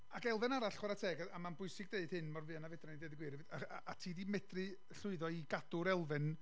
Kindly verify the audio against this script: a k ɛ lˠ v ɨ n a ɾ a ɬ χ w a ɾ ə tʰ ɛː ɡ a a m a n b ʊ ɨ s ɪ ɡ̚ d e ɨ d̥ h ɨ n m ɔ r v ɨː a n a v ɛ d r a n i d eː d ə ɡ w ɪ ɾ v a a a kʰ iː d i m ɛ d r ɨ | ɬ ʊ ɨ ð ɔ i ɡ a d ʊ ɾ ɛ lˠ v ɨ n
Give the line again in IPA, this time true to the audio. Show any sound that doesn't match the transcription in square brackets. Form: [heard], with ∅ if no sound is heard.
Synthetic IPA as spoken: a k ɛ lˠ v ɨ n a ɾ a ɬ χ w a ɾ [a] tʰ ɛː ɡ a a m a n b ʊ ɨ s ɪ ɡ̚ d e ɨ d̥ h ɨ n m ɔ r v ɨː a n a v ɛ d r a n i d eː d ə ɡ w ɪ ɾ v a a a [tʰ] iː d i m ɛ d r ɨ | ɬ ʊ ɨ ð ɔ i ɡ a d ʊ ɾ ɛ lˠ v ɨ n